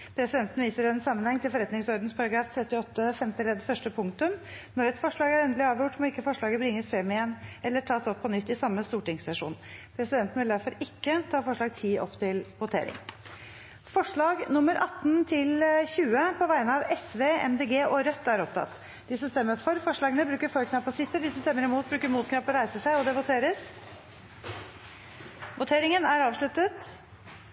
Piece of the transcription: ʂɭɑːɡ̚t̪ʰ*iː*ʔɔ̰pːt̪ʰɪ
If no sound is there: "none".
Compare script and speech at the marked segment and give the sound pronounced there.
iː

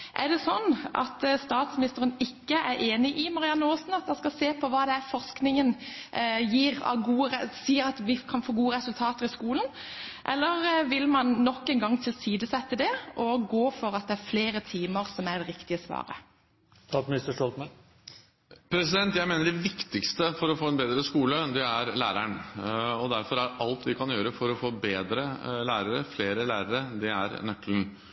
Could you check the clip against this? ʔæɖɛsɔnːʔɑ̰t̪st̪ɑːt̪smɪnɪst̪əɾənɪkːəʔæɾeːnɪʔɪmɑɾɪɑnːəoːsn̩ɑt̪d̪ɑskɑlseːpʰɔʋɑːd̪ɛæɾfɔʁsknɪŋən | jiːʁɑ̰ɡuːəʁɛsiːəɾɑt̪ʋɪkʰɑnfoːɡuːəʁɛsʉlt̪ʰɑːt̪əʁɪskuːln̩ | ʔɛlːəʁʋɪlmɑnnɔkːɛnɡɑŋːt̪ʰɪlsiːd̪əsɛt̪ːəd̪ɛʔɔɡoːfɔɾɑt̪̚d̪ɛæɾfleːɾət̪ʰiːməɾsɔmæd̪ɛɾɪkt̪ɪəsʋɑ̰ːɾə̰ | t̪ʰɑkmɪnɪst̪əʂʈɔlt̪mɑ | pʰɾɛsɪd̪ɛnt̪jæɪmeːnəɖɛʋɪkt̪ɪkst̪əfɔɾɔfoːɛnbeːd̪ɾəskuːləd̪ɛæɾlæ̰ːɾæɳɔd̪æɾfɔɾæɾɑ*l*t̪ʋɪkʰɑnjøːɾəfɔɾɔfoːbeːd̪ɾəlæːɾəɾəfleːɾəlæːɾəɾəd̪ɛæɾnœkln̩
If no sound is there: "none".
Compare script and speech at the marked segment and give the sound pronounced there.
l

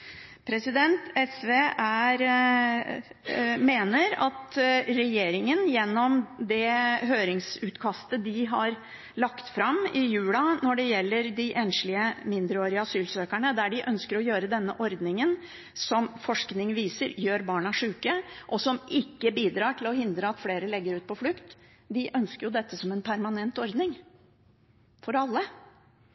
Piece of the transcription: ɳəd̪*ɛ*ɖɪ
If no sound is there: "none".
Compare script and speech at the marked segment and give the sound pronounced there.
æ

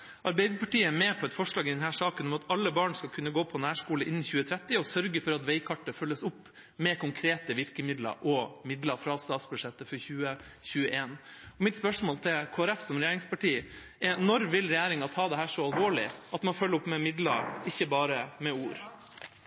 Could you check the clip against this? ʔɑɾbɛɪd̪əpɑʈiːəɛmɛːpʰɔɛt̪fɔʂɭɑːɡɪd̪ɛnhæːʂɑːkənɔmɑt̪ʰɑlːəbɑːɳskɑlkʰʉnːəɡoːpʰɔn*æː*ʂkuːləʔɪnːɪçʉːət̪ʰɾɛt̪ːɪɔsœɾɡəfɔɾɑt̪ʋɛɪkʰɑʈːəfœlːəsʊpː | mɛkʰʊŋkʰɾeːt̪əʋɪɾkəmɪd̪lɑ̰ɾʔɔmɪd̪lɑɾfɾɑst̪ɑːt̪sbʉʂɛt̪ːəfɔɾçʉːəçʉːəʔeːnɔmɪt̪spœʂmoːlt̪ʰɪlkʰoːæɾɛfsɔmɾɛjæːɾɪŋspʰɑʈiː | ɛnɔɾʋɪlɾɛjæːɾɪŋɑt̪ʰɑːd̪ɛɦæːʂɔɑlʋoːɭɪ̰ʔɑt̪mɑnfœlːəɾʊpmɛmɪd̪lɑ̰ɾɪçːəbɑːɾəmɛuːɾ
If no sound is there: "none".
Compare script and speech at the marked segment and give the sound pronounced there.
æː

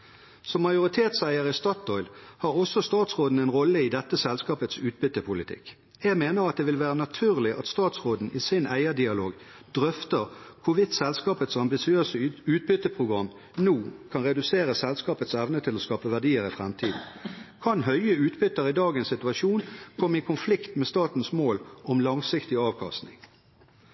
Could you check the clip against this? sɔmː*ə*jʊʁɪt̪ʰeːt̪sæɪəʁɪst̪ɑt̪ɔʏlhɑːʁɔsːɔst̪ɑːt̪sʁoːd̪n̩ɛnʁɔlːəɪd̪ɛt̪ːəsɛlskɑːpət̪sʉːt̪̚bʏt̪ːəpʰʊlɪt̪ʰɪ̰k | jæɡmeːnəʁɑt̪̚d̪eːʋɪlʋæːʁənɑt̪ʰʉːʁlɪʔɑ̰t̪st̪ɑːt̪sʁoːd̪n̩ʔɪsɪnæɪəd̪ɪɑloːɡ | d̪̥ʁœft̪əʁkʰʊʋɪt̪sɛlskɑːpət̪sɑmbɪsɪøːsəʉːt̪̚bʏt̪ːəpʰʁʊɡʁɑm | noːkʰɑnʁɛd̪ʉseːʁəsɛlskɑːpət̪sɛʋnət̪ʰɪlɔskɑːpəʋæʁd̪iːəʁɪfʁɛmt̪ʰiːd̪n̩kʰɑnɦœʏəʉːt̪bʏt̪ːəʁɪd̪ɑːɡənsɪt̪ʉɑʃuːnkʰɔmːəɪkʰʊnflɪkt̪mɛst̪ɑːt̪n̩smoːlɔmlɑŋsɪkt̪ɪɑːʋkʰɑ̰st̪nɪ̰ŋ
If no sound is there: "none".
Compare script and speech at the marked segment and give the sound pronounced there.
ɑ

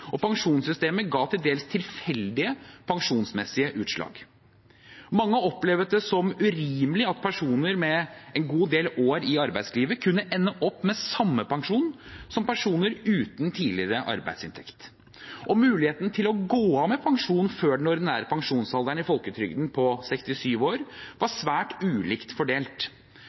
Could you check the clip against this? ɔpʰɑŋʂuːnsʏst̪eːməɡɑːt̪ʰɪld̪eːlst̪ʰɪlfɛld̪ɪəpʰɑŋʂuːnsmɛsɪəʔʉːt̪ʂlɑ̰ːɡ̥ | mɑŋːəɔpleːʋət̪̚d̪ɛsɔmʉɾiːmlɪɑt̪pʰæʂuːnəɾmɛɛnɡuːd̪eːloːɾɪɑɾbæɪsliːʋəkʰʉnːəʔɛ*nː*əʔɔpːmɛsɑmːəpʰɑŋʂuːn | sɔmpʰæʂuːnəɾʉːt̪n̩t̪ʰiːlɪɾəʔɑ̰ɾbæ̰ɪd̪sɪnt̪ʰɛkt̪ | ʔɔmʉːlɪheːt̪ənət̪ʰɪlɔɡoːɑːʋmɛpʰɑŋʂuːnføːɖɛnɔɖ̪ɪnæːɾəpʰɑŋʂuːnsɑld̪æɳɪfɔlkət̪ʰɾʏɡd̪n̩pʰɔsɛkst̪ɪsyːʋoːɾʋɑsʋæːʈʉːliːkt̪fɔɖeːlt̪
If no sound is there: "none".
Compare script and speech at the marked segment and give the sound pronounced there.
nː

